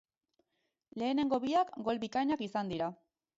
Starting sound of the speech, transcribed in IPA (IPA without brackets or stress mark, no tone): l